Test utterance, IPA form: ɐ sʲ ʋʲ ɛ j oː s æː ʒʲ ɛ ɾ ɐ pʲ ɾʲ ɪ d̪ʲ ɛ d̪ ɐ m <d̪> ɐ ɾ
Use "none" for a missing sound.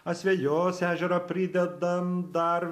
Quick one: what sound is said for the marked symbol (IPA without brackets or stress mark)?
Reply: d̪